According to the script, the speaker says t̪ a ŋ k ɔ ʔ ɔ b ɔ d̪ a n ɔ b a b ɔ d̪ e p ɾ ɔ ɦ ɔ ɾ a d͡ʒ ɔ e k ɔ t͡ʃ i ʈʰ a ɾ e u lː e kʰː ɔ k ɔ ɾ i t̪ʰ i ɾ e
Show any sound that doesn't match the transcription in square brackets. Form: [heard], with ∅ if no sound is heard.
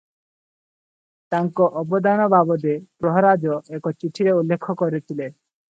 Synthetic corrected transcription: t̪ a ŋ k ɔ ʔ ɔ b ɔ d̪ a n ɔ b a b ɔ d̪ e p ɾ ɔ ɦ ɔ ɾ a d͡ʒ ɔ e k ɔ t͡ʃ i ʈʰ [i] ɾ e u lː e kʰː ɔ k ɔ ɾ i t̪ʰ i [l] e